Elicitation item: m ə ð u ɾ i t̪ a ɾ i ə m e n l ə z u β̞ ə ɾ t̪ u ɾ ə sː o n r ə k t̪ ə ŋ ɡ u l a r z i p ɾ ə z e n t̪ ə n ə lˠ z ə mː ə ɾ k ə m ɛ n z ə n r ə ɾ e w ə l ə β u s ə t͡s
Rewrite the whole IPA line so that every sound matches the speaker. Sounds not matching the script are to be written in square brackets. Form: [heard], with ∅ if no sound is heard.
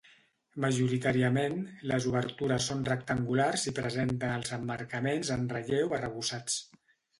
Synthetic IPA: m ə [ʒ] u ɾ i t̪ a ɾ i ə m e n l ə z u β̞ ə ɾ t̪ u ɾ ə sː o n r ə k t̪ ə ŋ ɡ u l a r z i p ɾ ə z e n t̪ ə n ə lˠ z ə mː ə ɾ k ə m [e] n z ə n r ə [ʎ] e w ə [r] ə β u s [a] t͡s